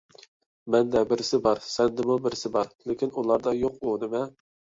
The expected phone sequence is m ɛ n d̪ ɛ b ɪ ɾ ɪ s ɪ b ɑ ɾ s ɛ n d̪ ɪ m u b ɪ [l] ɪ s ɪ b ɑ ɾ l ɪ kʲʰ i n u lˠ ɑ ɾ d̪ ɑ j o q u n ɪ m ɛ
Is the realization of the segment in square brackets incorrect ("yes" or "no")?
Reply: yes